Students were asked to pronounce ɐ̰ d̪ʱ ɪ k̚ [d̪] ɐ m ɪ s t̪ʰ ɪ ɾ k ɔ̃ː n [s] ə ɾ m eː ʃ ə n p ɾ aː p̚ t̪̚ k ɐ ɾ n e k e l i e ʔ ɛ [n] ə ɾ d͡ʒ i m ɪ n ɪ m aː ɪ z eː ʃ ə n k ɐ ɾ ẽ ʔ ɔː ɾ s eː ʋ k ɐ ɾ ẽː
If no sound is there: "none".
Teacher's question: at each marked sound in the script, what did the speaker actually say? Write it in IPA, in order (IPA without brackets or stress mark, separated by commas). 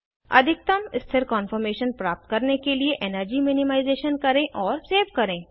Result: t̪, f, n